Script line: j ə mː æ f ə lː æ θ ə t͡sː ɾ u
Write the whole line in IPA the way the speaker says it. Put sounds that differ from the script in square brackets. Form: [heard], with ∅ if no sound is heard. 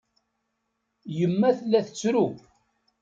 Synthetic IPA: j ə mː æ [θ] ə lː æ θ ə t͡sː ɾ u